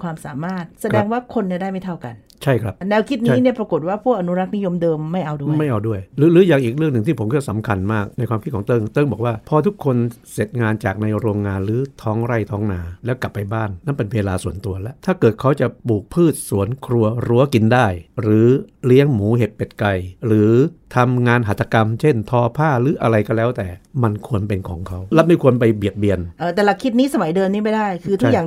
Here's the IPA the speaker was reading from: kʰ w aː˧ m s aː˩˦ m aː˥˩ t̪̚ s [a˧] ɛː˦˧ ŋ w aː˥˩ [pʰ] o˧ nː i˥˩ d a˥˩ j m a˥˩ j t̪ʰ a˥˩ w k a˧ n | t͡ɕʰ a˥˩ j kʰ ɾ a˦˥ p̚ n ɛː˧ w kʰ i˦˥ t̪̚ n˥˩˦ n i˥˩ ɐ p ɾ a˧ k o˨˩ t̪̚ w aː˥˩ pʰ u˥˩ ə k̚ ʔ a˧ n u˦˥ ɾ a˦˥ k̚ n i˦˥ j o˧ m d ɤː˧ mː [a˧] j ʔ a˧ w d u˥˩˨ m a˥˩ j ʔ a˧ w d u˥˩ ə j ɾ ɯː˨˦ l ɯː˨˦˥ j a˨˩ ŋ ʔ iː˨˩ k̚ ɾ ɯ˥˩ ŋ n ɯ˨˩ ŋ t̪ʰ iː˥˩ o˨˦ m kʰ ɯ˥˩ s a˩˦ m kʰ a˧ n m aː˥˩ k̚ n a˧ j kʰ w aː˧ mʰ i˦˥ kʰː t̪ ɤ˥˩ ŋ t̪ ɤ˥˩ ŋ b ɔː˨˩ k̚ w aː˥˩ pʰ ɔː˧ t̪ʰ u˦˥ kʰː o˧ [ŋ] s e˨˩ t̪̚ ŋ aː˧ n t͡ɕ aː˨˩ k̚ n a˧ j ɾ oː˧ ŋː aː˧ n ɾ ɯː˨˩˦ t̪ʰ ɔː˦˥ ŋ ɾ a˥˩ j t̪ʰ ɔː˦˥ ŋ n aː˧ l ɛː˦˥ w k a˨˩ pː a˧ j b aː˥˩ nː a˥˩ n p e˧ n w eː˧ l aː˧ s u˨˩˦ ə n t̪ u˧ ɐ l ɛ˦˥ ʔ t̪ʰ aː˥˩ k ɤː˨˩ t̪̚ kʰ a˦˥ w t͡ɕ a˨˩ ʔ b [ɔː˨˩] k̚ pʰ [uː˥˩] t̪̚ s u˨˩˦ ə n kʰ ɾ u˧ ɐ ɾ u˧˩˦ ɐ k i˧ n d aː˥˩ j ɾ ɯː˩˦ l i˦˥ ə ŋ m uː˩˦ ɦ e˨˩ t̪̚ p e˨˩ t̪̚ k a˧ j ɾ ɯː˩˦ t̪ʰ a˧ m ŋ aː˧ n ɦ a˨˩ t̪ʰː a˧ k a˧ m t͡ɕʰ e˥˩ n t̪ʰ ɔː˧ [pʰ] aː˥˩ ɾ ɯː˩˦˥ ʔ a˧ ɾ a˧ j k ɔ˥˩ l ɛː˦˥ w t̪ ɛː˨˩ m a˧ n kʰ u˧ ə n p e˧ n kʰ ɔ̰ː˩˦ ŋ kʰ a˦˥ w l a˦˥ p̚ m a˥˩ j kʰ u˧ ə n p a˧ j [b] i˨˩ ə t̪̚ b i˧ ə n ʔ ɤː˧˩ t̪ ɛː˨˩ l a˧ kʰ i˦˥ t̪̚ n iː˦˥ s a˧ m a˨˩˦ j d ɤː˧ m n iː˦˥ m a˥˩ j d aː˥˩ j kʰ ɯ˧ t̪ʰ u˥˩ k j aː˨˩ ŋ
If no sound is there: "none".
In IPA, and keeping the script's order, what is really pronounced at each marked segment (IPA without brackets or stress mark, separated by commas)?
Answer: a˧, kʰ, a˥˩, n, uː˨˩, ɯː˥˩, pʰ, b